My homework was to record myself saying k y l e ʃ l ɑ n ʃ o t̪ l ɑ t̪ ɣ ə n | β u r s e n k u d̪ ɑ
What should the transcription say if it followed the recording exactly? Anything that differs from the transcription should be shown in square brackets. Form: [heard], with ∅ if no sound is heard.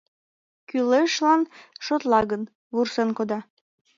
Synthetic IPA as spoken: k y l e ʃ l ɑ n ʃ o t̪ l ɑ [∅] ɣ ə n | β u r s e n k [o] d̪ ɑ